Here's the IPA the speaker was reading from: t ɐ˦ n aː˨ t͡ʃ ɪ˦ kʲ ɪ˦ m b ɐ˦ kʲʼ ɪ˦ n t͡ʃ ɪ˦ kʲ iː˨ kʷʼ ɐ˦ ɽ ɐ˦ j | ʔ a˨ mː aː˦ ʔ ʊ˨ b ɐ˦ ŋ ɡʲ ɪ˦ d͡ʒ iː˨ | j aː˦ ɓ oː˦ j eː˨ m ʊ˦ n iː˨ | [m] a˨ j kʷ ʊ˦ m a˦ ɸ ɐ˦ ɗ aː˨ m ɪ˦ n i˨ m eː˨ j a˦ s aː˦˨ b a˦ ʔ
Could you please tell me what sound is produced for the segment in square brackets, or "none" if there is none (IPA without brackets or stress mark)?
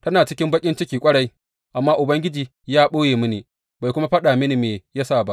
b